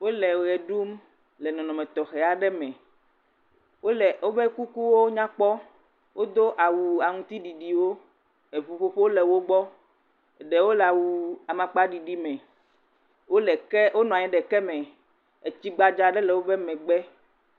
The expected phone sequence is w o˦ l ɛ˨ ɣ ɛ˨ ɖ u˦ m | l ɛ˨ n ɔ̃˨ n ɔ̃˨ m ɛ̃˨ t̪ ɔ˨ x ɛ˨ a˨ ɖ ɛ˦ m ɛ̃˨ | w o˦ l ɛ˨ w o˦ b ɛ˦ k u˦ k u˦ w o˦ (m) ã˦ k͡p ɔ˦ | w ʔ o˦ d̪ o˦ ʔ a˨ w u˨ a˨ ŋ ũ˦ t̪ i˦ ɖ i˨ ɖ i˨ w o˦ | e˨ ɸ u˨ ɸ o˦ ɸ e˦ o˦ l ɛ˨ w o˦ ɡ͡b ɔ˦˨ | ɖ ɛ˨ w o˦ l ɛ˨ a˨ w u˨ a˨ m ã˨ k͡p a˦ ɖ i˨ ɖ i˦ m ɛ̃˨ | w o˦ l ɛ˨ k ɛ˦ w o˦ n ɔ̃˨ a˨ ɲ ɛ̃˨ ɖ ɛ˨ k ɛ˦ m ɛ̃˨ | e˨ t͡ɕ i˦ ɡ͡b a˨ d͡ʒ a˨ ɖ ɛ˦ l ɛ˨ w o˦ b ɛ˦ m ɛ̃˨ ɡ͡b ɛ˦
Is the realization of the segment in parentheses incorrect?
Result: yes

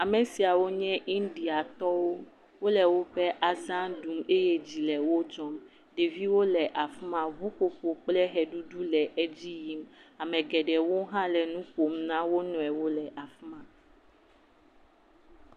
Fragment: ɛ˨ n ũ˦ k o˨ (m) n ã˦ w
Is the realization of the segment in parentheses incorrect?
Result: no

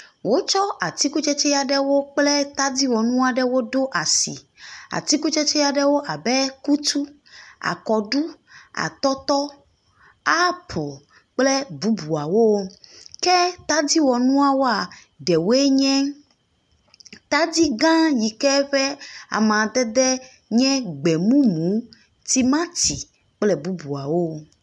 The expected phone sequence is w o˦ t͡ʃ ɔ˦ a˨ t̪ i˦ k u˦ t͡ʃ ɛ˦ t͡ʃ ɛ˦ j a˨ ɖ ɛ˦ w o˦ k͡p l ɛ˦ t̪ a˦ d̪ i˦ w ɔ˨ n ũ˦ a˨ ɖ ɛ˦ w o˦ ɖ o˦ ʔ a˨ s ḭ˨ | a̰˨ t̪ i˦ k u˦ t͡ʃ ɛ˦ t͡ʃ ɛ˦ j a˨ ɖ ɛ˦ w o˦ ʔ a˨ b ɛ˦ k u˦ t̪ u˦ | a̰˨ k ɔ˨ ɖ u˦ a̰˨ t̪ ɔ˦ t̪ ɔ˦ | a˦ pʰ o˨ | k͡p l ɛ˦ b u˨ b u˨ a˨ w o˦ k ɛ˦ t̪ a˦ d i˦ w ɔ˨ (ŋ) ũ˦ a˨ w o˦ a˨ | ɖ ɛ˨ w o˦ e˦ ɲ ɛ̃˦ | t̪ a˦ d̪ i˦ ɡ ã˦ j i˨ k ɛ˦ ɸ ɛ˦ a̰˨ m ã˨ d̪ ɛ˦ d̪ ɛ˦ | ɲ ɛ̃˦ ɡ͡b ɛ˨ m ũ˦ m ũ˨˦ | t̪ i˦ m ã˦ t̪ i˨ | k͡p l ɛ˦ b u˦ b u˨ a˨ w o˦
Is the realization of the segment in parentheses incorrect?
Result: yes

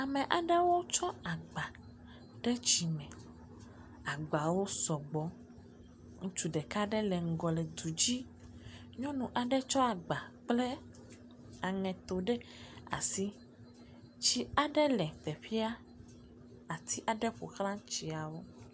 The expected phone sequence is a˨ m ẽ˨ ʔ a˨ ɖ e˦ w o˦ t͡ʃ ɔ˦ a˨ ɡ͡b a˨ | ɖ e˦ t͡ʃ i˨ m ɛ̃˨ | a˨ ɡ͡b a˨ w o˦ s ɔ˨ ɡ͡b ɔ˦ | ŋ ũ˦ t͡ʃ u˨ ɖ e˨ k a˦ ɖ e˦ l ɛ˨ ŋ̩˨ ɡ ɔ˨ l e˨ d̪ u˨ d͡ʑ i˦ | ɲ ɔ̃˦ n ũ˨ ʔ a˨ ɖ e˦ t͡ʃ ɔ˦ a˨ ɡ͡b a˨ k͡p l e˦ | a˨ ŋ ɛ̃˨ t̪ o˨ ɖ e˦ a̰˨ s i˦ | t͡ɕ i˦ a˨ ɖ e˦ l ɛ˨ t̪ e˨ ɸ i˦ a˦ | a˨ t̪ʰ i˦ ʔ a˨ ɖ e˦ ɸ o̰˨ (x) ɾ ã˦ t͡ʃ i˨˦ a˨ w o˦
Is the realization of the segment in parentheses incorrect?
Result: no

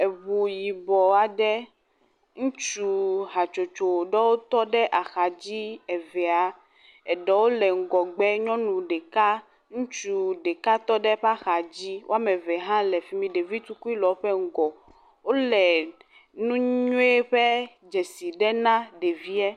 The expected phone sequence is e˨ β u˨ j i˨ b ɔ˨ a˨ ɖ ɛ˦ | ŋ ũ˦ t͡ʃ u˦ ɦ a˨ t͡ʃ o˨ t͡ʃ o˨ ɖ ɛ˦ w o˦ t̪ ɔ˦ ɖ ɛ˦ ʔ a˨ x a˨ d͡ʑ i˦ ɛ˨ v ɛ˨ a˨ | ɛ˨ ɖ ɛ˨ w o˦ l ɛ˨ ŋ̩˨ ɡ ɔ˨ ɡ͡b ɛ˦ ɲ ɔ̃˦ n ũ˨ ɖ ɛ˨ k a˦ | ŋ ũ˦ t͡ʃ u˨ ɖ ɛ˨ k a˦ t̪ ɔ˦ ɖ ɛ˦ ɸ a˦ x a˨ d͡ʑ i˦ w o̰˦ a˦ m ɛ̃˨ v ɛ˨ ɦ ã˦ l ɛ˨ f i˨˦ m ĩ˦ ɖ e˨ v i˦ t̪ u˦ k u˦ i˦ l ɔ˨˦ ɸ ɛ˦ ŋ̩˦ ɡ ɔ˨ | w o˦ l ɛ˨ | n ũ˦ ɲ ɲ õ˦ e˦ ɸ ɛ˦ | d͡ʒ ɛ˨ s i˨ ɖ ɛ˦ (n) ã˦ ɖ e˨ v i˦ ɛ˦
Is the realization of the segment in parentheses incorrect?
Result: no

